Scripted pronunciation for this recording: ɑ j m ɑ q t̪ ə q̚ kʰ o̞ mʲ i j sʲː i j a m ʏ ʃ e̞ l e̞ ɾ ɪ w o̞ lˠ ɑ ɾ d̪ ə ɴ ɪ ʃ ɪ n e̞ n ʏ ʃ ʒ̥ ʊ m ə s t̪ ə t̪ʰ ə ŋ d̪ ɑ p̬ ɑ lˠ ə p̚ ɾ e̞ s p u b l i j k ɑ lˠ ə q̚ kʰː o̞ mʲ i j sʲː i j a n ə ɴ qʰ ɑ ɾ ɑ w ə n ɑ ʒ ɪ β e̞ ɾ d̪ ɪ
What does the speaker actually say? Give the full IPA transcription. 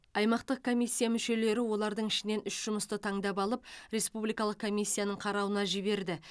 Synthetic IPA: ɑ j m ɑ q t̪ ə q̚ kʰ o̞ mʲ i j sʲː i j a m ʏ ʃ e̞ l e̞ ɾ ɪ w o̞ lˠ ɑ ɾ d̪ ə ɴ ɪ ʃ ɪ n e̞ n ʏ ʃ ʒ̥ ʊ m ə s t̪ ə t̪ʰ ɑ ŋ d̪ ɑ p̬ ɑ lˠ ə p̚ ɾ e̞ s p u b l i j k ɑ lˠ ə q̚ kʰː o̞ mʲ i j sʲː i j a n ə ɴ qʰ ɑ ɾ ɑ w ə n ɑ ʒ ɪ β e̞ ɾ d̪ ɪ